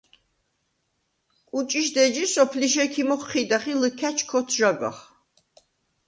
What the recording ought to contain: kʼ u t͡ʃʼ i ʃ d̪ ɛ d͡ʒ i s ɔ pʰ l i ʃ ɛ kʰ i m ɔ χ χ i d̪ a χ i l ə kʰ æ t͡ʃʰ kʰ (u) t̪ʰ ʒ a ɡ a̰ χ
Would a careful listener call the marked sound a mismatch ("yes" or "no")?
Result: yes